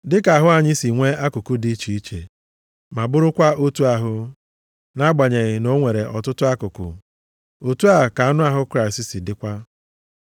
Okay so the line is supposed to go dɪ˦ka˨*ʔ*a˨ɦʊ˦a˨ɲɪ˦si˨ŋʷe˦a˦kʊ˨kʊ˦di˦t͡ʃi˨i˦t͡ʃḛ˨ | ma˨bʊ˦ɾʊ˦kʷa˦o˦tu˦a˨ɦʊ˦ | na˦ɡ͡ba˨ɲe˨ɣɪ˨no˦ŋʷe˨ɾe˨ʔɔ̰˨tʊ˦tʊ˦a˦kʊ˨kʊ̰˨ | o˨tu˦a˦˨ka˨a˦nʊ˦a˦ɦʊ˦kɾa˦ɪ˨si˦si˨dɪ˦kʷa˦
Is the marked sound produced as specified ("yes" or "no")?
no